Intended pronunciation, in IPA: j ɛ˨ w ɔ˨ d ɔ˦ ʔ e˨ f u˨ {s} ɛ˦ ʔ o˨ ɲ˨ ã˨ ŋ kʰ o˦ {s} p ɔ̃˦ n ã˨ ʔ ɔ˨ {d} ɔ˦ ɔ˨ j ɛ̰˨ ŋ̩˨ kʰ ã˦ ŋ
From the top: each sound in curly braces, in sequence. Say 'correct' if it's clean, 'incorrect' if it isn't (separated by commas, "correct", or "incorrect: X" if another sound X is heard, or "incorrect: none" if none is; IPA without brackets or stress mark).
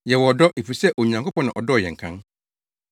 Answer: correct, incorrect: none, correct